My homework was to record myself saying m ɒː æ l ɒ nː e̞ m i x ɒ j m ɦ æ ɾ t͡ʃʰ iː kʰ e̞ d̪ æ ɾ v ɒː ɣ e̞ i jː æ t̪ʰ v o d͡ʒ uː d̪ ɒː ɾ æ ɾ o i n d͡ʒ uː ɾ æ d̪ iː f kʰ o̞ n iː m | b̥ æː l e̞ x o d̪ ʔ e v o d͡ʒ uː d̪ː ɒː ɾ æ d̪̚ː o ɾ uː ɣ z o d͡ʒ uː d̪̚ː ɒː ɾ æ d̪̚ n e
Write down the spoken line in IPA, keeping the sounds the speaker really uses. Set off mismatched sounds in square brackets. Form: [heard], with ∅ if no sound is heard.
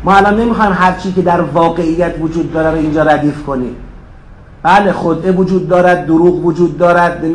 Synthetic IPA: m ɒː æ l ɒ nː e̞ m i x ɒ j m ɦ æ ɾ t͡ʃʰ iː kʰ e̞ d̪ æ ɾ v ɒː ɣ e̞ i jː æ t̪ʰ v o d͡ʒ uː [d̪ː] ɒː ɾ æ ɾ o i n d͡ʒ [ɒː] ɾ æ d̪ iː f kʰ o̞ n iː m | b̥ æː l e̞ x o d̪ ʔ e v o d͡ʒ uː d̪ː ɒː ɾ æ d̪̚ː o ɾ uː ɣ [v] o d͡ʒ uː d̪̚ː ɒː ɾ æ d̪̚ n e